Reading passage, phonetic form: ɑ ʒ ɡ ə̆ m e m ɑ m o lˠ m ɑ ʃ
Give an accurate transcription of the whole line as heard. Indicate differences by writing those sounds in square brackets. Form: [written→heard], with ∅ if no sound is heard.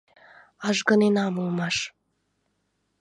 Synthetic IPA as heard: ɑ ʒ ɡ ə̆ [m→n] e [m→n] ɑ m [o→u] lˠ m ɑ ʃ